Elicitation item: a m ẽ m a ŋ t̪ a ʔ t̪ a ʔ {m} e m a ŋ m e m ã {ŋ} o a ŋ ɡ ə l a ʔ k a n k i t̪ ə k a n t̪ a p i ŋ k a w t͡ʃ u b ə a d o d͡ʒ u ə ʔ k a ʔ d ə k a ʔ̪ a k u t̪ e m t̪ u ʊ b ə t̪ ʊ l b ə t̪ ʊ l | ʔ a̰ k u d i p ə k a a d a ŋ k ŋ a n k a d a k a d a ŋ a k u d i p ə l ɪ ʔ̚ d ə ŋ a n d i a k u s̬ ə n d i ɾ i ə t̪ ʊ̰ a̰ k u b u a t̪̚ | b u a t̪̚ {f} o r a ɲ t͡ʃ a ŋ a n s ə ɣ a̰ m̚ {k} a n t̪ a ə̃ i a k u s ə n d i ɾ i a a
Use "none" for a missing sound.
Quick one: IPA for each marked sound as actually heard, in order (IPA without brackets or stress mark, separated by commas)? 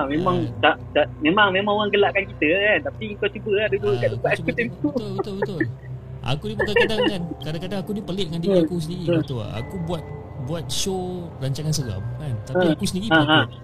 m, ŋ, ʃ, k